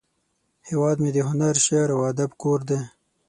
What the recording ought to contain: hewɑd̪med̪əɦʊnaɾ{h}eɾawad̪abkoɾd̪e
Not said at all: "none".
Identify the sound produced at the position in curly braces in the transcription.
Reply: ʃ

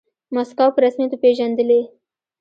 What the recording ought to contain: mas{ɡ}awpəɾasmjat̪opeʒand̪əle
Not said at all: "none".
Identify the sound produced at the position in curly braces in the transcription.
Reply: k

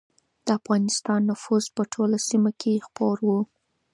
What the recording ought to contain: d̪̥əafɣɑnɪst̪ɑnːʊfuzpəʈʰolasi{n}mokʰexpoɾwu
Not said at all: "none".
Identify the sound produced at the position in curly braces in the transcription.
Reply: none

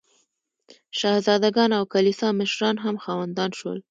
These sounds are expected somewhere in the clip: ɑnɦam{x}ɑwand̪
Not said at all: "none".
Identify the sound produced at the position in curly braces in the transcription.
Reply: x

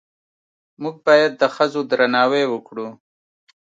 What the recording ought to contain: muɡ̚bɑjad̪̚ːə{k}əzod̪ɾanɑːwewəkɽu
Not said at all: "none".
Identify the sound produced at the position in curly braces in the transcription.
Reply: x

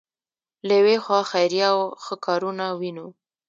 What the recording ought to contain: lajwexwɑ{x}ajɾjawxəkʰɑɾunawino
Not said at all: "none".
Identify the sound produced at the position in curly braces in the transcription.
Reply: x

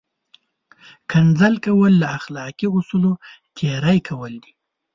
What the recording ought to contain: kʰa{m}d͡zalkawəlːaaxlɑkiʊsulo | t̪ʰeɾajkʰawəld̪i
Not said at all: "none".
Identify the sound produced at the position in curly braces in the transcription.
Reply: n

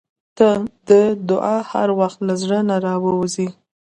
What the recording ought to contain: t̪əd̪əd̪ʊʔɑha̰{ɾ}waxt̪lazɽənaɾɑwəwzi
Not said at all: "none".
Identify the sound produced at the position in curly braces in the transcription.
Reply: ɾ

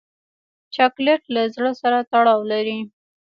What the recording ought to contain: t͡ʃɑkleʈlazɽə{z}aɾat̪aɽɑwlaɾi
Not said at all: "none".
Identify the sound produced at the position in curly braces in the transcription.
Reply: s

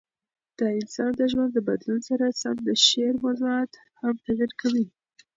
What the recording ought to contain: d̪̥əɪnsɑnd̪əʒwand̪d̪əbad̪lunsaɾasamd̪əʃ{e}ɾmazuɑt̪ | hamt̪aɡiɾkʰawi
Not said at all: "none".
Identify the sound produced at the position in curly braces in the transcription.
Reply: e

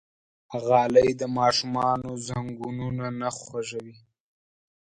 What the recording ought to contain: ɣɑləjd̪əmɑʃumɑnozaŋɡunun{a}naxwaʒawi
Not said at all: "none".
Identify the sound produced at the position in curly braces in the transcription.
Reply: a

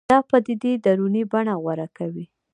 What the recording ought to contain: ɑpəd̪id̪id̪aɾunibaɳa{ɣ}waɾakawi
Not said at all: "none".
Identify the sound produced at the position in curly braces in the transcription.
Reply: ɣ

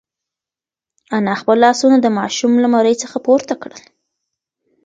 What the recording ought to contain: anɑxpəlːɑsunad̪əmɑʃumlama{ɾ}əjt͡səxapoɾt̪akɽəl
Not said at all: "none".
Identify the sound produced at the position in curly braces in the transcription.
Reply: ɾ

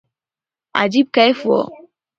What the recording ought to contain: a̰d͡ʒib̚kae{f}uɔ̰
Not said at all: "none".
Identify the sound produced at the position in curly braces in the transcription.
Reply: f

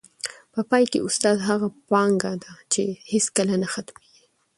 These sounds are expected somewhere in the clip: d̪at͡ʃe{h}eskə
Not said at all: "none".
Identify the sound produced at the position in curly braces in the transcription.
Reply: h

